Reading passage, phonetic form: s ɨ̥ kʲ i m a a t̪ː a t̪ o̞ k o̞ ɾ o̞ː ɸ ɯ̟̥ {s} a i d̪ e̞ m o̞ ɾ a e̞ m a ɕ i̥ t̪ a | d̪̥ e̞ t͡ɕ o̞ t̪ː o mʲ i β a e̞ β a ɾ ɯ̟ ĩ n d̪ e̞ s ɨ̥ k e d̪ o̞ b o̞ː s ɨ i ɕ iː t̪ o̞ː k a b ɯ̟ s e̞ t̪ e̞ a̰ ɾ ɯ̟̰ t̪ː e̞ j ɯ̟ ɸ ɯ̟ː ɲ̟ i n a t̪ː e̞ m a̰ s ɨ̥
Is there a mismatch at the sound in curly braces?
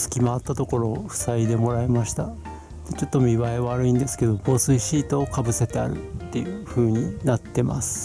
no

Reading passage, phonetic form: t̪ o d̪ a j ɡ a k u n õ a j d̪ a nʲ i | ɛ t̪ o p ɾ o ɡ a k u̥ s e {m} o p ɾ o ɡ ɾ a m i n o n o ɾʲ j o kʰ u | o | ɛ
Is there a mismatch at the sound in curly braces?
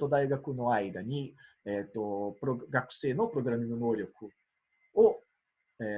yes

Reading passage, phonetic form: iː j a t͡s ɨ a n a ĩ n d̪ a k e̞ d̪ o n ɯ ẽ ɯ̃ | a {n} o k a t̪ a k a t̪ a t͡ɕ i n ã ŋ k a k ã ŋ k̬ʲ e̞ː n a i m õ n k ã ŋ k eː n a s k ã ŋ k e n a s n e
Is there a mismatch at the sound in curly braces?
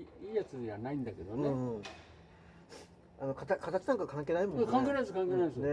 no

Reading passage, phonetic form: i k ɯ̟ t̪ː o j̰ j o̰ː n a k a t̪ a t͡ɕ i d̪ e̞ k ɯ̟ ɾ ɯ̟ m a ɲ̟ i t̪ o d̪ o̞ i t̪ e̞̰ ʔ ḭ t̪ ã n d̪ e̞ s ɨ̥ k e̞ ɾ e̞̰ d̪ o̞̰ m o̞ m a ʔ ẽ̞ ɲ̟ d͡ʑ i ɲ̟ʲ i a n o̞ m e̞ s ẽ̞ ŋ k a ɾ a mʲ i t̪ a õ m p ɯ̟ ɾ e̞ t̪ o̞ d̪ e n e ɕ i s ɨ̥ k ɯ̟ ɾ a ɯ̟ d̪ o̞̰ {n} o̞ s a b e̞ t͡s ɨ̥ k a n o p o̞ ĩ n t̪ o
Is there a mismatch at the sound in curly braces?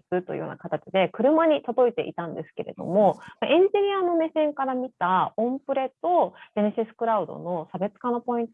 no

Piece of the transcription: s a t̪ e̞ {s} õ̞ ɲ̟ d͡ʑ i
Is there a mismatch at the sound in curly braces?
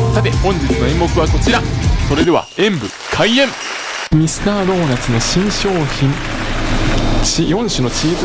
yes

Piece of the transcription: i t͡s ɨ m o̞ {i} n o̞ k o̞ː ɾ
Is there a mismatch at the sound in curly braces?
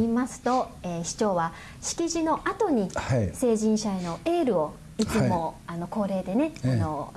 yes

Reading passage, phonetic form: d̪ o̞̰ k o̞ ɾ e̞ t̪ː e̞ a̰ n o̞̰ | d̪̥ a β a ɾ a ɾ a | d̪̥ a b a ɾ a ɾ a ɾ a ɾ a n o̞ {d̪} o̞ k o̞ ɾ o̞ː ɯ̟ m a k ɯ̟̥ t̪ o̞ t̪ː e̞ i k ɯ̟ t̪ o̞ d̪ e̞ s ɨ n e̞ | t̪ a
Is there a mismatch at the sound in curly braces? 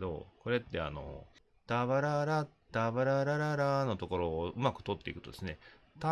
yes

